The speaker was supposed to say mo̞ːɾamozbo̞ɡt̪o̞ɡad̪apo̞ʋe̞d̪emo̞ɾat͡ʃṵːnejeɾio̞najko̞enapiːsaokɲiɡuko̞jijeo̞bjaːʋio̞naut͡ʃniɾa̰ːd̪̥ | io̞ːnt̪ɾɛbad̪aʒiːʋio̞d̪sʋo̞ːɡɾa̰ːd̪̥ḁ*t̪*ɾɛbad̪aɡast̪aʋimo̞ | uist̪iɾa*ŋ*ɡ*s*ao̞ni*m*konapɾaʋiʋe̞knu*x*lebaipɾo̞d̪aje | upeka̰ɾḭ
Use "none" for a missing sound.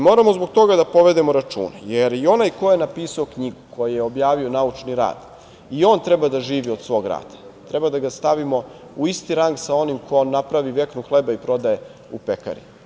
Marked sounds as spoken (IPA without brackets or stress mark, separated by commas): t̪, ŋ, s, m, x